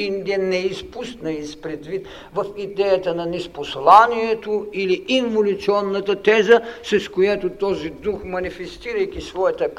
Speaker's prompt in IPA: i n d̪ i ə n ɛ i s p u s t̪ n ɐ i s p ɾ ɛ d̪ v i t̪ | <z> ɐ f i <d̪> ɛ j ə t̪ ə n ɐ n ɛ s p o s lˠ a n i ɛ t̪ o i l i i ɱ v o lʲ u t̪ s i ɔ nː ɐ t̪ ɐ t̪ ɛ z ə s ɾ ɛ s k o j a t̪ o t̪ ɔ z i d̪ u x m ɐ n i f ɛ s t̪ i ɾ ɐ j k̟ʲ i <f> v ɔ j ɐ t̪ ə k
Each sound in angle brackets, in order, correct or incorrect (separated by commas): incorrect, correct, incorrect